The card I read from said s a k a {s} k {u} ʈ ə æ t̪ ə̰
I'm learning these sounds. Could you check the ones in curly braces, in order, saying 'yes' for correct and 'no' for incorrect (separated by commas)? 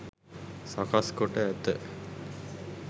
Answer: yes, no